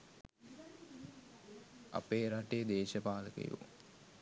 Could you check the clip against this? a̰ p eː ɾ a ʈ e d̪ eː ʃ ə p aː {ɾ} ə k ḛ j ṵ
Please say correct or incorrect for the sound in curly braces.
incorrect